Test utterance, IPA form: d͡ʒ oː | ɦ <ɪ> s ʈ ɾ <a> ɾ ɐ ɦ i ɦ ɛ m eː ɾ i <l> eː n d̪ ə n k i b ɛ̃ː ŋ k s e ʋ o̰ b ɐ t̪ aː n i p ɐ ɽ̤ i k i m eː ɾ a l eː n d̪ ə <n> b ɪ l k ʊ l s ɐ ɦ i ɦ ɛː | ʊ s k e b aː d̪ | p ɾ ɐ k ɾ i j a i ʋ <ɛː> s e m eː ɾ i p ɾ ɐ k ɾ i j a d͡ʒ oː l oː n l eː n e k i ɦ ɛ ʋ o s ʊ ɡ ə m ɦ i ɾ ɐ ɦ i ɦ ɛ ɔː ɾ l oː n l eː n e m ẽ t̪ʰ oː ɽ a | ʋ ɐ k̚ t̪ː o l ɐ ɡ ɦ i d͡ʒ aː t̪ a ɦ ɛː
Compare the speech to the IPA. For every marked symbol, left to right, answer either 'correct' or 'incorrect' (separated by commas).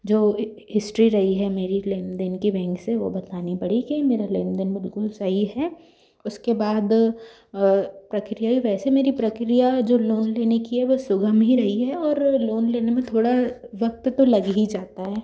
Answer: correct, incorrect, correct, correct, correct